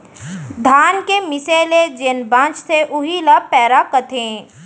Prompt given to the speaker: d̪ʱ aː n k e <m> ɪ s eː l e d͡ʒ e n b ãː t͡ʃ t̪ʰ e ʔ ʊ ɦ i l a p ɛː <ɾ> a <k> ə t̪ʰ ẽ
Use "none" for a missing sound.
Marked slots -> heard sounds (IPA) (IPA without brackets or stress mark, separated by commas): m, ɾ, k